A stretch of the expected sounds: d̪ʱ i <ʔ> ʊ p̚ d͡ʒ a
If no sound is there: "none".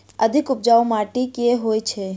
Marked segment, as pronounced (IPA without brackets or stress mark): k